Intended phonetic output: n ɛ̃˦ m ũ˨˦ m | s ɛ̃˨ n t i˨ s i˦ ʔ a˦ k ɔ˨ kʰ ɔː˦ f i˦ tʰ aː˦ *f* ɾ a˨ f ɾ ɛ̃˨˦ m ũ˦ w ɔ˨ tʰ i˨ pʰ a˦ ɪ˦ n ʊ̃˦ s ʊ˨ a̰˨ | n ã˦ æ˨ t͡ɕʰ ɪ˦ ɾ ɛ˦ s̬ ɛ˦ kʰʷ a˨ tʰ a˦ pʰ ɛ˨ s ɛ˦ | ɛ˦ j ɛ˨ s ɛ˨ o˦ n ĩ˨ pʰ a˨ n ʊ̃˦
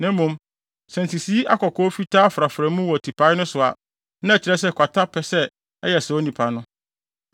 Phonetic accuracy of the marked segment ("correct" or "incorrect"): correct